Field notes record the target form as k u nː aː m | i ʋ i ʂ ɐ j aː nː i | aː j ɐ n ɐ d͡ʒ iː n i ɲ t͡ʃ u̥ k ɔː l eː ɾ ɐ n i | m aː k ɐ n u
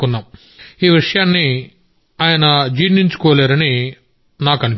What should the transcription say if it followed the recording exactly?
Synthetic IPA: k u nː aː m | iː ʋ i ʂ ɐ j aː nː i | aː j ɐ n ɐ d͡ʒ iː n i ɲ t͡ʃ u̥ k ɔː l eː ɾ ɐ n i | n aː k ɐ n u